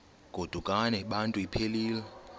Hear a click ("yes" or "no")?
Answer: no